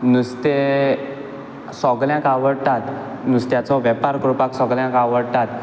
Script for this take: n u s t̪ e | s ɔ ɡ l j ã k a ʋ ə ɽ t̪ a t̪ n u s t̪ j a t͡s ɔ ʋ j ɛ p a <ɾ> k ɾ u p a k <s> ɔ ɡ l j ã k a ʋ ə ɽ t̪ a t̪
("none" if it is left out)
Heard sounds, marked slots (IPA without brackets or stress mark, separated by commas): ɾ, s